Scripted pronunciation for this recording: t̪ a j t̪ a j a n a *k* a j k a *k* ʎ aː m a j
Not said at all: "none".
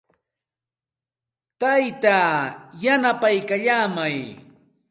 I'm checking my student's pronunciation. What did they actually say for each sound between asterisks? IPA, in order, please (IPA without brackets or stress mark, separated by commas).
p, none